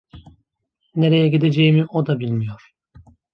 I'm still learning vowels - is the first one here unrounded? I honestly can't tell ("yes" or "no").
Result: yes